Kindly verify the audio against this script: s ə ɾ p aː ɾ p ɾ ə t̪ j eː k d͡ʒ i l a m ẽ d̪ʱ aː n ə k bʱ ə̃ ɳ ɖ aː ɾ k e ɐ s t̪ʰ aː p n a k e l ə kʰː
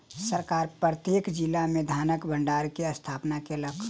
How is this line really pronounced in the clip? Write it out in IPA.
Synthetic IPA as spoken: s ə ɾ k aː ɾ p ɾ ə t̪ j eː k d͡ʒ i l a m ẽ d̪ʱ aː n ə k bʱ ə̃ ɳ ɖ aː ɾ k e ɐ s t̪ʰ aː p n a k e l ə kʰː